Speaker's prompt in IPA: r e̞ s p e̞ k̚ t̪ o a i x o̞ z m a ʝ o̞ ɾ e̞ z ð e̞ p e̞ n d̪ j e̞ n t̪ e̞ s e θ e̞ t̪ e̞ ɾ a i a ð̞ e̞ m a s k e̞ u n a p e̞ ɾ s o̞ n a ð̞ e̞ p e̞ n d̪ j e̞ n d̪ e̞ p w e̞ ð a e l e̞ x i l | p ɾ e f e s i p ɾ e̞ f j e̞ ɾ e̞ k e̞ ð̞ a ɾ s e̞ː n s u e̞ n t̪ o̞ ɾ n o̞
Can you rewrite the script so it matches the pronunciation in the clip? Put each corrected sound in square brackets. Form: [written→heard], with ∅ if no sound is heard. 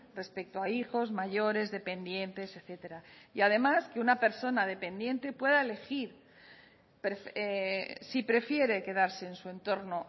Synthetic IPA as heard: r e̞ s p e̞ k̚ t̪ o a i x o̞ z m a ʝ o̞ ɾ e̞ z ð e̞ p e̞ n d̪ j e̞ n t̪ e̞ s e θ e̞ t̪ e̞ ɾ a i a ð̞ e̞ m a s k e̞ u n a p e̞ ɾ s o̞ n a ð̞ e̞ p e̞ n d̪ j e̞ n [d̪→t̪] e̞ p w e̞ ð a e l e̞ x i [l→ɾ] | p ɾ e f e s i p ɾ e̞ f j e̞ ɾ e̞ k e̞ ð̞ a ɾ s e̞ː n s u e̞ n t̪ o̞ ɾ n o̞